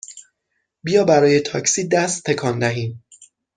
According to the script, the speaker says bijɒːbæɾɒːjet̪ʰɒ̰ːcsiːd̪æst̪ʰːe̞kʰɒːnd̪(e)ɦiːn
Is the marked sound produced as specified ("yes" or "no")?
no